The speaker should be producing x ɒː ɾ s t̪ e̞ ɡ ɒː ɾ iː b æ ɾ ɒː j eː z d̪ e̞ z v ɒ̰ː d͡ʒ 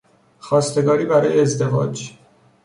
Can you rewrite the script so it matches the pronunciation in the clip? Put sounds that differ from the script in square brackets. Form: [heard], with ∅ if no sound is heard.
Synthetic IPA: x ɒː [∅] s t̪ e̞ ɡ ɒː ɾ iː b æ ɾ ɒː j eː z d̪ e̞ [∅] v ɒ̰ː d͡ʒ